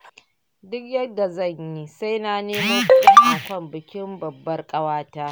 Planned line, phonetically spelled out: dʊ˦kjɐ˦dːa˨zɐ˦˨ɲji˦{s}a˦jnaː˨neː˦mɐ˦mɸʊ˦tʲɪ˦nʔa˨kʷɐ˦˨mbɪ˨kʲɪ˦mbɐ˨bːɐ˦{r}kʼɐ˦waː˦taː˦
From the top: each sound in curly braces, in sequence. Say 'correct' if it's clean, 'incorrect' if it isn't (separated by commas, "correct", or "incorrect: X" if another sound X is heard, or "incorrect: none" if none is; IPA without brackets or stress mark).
correct, correct